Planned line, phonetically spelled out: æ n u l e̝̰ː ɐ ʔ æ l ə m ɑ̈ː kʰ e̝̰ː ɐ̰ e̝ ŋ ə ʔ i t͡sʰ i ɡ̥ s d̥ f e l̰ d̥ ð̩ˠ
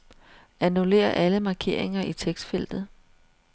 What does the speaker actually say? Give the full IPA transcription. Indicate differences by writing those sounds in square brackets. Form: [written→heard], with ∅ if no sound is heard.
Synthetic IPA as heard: æ n u l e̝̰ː ɐ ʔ æ l ə m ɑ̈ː kʰ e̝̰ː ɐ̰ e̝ ŋ [ə→ɐ] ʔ i t͡sʰ [i→e] ɡ̥ s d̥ f e l̰ d̥ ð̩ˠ

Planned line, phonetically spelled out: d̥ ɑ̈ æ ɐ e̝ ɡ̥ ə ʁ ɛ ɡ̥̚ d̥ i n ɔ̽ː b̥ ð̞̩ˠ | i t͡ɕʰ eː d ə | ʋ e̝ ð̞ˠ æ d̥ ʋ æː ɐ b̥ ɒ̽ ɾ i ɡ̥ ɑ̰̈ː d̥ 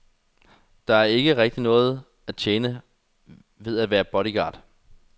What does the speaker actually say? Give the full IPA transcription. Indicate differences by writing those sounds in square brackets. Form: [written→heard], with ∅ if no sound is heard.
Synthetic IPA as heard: d̥ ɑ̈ æ ɐ e̝ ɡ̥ ə ʁ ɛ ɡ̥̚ d̥ i n ɔ̽ː [b̥→∅] ð̞̩ˠ | [i→æ] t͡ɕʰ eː [d→n] ə | ʋ e̝ ð̞ˠ æ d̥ ʋ æː ɐ b̥ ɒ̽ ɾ i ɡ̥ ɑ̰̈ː d̥

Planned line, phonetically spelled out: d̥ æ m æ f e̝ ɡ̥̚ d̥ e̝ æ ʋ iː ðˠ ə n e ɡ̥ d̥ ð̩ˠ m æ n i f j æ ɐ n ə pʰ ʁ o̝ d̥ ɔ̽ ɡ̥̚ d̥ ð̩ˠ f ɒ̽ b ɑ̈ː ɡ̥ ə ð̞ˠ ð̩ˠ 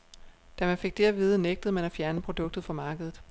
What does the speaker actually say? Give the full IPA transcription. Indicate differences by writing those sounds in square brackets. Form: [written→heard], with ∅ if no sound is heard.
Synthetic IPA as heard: d̥ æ m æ f e̝ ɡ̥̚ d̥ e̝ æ ʋ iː ðˠ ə n e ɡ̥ d̥ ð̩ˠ m æ n [i→æ] f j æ ɐ n ə pʰ ʁ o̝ d̥ ɔ̽ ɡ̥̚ d̥ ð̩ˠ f ɒ̽ [b→m] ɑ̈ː ɡ̥ ə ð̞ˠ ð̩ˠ

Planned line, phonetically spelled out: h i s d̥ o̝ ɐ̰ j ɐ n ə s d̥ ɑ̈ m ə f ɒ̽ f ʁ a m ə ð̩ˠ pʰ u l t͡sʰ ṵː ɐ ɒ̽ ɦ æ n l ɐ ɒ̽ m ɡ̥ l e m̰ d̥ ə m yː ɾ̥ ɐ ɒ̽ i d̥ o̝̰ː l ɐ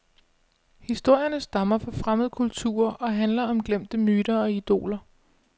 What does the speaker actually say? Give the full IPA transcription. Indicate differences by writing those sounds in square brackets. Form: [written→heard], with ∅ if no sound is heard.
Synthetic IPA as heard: h i s d̥ o̝ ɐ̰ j ɐ n ə s d̥ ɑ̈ m [ə→ɐ] f ɒ̽ f ʁ a m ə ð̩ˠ [pʰ→kʰ] u l t͡sʰ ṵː ɐ ɒ̽ ɦ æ n l ɐ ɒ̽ m ɡ̥ l e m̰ d̥ ə m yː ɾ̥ ɐ ɒ̽ i d̥ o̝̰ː l ɐ

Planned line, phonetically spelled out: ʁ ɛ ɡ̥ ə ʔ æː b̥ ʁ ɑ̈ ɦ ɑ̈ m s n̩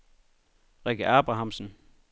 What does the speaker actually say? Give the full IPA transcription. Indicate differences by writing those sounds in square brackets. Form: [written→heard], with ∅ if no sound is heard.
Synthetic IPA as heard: ʁ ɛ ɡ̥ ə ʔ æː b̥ ʁ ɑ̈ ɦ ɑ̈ m s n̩

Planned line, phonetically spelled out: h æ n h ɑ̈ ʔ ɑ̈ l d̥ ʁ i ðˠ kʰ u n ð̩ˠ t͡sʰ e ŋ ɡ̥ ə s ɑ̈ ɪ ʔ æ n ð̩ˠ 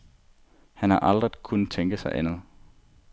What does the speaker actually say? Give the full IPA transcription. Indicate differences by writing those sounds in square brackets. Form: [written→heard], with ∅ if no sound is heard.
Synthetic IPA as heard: h æ n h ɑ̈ ʔ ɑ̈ l d̥ ʁ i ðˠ kʰ u n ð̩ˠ t͡sʰ e ŋ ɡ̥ ə s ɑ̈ ɪ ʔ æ n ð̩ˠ

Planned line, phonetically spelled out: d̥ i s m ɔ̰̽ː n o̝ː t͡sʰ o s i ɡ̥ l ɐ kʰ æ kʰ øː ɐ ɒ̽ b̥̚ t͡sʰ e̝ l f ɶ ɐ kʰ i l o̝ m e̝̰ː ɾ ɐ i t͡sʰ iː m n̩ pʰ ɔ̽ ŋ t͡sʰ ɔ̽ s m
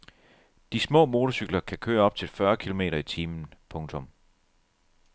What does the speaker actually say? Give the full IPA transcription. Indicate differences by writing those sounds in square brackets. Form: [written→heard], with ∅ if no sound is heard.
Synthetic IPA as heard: d̥ i s m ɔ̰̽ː [n→m] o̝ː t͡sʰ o s [i→y] ɡ̥ l ɐ kʰ æ kʰ øː ɐ ɒ̽ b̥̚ t͡sʰ e̝ l f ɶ ɐ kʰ i l o̝ m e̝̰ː ɾ ɐ i t͡sʰ iː m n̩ pʰ ɔ̽ ŋ t͡sʰ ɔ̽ [s→∅] m

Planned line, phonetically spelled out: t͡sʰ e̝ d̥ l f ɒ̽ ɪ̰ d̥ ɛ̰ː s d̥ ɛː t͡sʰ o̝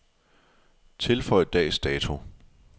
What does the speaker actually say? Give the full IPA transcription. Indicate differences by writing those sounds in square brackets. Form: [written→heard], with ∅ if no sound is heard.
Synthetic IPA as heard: t͡sʰ e̝ [d̥→∅] l f ɒ̽ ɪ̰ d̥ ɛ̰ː s d̥ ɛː t͡sʰ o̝

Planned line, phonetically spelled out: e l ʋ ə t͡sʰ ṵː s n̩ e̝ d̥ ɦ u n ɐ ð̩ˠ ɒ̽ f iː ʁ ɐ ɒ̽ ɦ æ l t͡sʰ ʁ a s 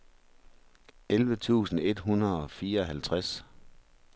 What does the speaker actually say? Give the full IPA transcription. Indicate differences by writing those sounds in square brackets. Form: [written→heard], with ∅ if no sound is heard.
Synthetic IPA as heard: e l ʋ ə t͡sʰ ṵː s n̩ e̝ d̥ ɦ u n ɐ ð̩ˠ ɒ̽ f iː [ʁ→∅] ɐ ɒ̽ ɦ æ l t͡sʰ ʁ a s

